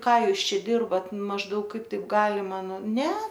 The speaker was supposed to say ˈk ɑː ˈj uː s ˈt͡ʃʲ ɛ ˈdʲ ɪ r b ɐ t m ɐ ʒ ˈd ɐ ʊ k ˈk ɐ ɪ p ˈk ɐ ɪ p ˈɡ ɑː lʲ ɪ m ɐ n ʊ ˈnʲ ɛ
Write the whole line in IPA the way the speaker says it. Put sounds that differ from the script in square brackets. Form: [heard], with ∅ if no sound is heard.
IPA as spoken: ˈk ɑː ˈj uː s ˈt͡ʃʲ ɛ ˈdʲ ɪ r b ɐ t m ɐ ʒ ˈd ɐ ʊ k ˈk ɐ ɪ p [ˈt] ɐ ɪ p ˈɡ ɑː lʲ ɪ m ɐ n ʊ ˈnʲ ɛ